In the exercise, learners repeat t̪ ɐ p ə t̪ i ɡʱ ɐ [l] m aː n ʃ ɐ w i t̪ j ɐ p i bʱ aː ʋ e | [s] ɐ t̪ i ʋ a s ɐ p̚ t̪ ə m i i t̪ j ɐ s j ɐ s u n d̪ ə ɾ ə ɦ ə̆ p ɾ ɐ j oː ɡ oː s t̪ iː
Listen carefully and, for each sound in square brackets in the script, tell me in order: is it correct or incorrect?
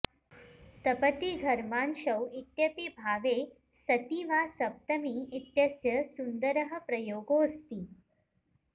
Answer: incorrect, correct

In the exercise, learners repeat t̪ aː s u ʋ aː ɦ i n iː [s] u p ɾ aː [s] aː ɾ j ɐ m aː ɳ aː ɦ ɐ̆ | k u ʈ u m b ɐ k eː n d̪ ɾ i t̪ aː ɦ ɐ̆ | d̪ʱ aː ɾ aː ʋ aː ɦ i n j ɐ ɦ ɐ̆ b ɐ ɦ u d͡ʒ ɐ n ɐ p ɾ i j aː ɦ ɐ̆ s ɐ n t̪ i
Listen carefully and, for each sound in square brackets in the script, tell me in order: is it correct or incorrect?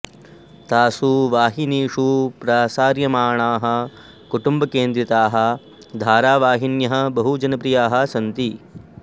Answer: incorrect, correct

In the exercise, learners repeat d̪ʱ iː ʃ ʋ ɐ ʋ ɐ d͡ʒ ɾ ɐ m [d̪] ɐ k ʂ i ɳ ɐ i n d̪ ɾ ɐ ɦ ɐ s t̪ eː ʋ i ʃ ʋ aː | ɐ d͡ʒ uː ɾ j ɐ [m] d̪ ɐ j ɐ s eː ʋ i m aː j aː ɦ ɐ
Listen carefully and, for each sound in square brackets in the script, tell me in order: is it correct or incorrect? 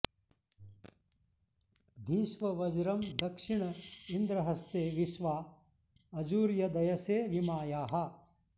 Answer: correct, incorrect

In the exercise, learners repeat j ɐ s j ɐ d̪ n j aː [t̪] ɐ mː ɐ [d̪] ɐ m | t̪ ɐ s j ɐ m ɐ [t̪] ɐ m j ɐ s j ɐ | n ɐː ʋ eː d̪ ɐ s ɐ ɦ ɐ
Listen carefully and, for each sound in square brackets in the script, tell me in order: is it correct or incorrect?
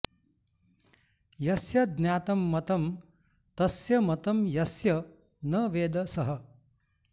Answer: correct, incorrect, correct

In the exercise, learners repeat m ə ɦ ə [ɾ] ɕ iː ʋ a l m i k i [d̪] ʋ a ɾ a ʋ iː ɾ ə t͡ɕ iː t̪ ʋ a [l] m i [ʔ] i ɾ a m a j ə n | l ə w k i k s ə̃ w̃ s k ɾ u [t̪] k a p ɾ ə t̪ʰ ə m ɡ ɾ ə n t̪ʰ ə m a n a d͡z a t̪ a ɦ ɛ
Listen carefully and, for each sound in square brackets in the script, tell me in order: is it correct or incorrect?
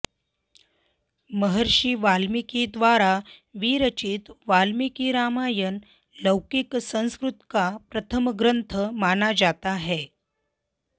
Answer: correct, correct, correct, incorrect, correct

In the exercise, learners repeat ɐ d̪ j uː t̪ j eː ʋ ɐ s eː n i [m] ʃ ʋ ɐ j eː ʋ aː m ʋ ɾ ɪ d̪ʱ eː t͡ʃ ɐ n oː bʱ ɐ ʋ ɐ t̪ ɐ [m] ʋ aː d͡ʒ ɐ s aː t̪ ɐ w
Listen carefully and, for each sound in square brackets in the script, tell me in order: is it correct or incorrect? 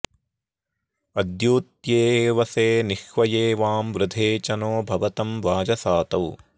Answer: incorrect, correct

